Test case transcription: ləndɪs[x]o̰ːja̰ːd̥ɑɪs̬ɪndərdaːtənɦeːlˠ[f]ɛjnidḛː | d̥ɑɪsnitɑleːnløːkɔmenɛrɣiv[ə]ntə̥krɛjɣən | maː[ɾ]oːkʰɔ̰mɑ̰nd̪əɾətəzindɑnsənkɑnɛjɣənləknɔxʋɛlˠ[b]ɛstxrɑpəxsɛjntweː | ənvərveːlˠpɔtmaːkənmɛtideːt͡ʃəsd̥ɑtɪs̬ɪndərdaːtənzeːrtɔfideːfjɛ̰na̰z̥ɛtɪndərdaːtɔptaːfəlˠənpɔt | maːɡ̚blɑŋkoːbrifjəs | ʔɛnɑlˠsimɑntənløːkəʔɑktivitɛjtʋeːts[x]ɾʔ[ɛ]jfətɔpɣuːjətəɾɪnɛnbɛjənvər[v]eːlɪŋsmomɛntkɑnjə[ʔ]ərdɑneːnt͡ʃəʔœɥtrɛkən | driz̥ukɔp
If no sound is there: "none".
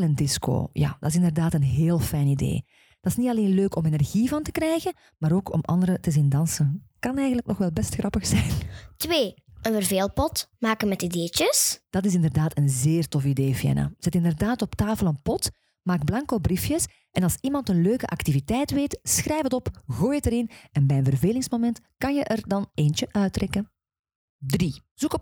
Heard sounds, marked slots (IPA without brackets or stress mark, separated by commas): k, f, ɑ, ɾ, b, x, ɛ, v, ʔ